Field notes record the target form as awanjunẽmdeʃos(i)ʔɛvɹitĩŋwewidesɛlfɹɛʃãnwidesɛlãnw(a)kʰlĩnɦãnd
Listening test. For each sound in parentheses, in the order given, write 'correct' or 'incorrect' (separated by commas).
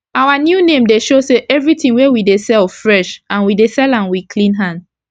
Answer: incorrect, incorrect